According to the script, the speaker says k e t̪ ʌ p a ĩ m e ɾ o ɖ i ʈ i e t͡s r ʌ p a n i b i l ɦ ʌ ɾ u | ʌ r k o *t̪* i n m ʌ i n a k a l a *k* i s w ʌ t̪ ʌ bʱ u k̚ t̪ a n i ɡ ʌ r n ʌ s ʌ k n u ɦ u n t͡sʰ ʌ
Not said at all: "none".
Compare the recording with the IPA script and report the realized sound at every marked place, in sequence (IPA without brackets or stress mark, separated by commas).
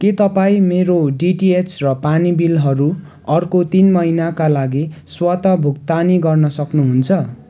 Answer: t̪, ɡ